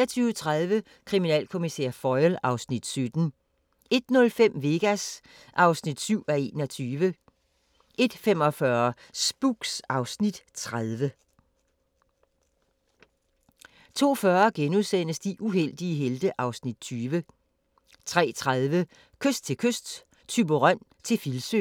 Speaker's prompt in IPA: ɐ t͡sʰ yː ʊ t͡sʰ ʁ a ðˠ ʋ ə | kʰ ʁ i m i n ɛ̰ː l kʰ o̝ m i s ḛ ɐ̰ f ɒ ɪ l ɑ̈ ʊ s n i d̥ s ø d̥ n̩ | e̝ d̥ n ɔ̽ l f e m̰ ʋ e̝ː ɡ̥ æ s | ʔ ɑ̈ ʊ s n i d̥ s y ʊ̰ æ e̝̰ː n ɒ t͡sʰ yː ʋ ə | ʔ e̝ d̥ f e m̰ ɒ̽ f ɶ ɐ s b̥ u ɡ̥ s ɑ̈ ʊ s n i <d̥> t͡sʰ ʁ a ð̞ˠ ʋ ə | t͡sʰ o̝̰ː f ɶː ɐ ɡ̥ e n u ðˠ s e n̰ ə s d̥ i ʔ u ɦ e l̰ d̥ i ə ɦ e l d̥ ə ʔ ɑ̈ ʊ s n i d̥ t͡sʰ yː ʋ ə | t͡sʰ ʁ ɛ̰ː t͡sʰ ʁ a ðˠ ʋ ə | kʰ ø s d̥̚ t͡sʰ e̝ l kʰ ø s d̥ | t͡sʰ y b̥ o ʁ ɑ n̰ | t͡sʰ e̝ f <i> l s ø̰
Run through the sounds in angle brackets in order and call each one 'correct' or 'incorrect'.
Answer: correct, correct

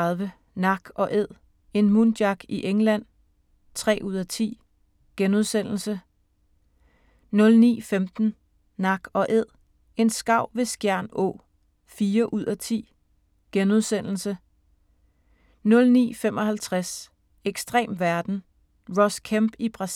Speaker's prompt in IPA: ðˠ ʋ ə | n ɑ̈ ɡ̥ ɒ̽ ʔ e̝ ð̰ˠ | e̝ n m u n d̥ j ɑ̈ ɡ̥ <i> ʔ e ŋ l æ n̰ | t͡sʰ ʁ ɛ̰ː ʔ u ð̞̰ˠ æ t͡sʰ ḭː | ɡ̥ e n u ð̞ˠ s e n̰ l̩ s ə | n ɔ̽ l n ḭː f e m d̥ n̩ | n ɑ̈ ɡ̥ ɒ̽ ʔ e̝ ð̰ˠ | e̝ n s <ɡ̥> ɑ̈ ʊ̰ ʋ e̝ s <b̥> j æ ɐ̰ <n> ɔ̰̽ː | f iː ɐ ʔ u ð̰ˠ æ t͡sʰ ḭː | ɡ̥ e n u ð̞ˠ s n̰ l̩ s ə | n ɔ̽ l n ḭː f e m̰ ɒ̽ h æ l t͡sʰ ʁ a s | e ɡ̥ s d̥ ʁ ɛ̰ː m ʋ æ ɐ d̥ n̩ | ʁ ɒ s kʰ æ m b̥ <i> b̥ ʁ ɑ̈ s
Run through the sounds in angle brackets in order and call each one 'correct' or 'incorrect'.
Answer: correct, correct, incorrect: ɡ̥, correct, correct

